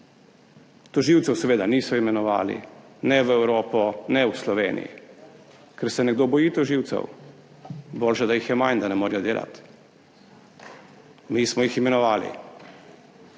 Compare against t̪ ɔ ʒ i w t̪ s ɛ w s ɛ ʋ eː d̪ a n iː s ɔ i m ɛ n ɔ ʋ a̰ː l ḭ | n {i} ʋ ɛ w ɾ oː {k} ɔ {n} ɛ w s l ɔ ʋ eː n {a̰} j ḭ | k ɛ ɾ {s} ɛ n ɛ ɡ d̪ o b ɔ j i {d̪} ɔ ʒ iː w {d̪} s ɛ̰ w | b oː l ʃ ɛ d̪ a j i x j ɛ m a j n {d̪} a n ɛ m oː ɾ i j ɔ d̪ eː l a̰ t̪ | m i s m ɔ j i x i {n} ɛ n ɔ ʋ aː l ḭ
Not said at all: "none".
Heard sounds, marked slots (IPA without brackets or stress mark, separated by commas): ɛ, p, n, ḭ, s, t̪, t̪, d̪, m